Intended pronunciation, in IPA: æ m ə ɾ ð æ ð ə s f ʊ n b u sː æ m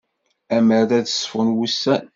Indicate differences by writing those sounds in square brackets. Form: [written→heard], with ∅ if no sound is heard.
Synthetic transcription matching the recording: æ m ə ɾ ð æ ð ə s f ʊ n [b→w] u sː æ [m→n]